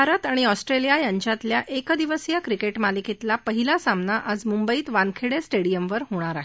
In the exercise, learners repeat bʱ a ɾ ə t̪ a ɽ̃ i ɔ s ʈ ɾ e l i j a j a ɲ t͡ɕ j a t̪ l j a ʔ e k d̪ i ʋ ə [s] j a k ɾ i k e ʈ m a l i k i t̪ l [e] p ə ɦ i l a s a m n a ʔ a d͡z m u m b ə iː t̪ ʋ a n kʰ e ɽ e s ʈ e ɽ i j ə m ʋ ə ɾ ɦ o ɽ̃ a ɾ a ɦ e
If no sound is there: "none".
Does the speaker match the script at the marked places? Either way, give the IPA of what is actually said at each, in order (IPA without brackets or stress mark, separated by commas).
s, a